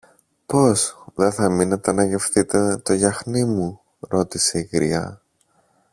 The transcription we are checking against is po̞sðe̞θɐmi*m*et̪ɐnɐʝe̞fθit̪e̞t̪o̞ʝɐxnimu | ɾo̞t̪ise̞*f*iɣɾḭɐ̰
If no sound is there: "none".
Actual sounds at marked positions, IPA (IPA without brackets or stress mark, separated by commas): n, none